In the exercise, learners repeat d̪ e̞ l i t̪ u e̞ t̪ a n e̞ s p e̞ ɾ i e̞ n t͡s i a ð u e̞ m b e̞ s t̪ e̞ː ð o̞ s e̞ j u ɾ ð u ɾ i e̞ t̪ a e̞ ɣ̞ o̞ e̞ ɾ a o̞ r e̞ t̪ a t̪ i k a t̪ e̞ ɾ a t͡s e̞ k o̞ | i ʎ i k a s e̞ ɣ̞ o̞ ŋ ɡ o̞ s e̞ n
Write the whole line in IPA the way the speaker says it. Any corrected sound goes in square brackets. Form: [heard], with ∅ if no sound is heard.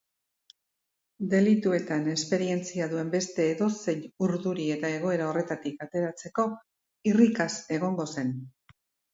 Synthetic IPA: d̪ e̞ l i t̪ u e̞ t̪ a n e̞ s p e̞ ɾ i e̞ n t͡s i a ð u e̞ m b e̞ s t̪ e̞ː ð o̞ s e̞ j u ɾ ð u ɾ i e̞ t̪ a e̞ ɣ̞ o̞ e̞ ɾ a o̞ r e̞ t̪ a t̪ i k a t̪ e̞ ɾ a t͡s e̞ k o̞ | i [r] i k a s e̞ ɣ̞ o̞ ŋ ɡ o̞ s e̞ n